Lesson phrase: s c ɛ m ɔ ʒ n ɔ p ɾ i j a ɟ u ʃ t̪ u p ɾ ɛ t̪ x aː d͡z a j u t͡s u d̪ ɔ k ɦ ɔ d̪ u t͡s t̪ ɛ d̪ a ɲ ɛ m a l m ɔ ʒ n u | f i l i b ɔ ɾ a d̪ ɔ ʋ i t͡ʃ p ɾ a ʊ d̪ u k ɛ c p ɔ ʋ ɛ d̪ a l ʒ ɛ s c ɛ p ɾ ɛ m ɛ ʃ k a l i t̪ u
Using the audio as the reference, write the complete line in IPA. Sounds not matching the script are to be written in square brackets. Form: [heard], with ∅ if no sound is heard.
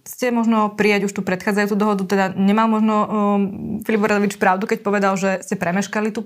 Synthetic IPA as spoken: s c ɛ m ɔ ʒ n ɔ p ɾ i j a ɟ u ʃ t̪ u p ɾ ɛ t̪ x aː d͡z a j u t͡s u d̪ ɔ [∅] ɦ ɔ d̪ u [∅] t̪ ɛ d̪ a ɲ ɛ m a l m ɔ ʒ n [ɔ] | f i l i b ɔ ɾ a d̪ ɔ ʋ i t͡ʃ p ɾ a ʊ d̪ u k ɛ c p ɔ ʋ ɛ d̪ a l ʒ ɛ s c ɛ p ɾ ɛ m ɛ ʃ k a l i t̪ u